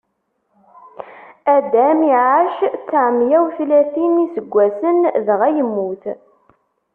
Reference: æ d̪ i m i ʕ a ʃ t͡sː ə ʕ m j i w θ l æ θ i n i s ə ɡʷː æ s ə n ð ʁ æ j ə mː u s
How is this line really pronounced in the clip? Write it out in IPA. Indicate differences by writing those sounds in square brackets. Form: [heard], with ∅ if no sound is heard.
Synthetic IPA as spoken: æ d̪ [æ] m i ʕ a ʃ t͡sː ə ʕ m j [æ] w θ l æ θ i n i s ə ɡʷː æ s ə n ð ʁ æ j ə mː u [θ]